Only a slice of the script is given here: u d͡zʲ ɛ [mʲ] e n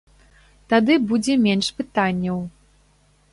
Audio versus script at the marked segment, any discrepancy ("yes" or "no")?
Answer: no